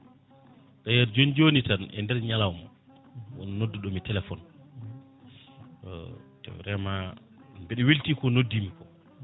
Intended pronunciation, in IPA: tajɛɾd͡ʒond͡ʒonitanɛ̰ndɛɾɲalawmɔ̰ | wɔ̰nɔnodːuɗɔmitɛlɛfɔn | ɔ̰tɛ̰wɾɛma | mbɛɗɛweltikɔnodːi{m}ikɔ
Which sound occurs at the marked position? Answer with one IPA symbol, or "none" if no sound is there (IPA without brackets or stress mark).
m